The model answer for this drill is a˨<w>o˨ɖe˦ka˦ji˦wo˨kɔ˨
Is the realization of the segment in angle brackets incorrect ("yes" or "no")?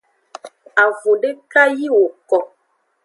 yes